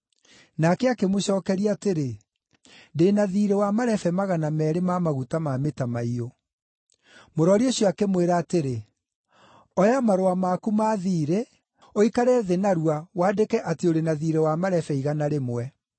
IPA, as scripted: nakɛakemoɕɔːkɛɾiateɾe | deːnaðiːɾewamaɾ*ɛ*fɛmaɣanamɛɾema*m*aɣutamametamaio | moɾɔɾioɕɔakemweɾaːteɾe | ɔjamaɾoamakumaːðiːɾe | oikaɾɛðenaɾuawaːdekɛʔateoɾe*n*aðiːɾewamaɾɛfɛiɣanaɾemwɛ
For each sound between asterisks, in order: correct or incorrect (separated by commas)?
correct, correct, correct